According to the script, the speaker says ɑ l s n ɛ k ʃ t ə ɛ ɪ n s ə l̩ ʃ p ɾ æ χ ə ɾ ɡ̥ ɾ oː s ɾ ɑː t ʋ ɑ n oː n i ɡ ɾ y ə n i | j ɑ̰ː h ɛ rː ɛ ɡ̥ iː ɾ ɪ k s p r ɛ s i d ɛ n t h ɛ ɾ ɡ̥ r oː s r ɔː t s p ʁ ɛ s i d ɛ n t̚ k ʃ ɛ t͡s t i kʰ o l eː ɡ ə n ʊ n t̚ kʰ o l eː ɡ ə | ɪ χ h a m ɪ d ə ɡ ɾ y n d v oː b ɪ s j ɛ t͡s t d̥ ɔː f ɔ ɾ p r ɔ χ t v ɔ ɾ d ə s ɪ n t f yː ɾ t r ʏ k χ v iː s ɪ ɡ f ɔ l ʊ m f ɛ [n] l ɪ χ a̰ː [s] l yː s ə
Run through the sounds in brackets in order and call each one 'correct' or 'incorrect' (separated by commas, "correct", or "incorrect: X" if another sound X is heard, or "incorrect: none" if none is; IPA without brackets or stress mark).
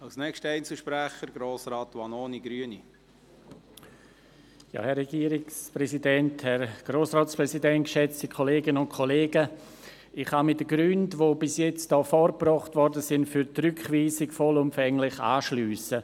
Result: incorrect: ŋ, incorrect: ʃ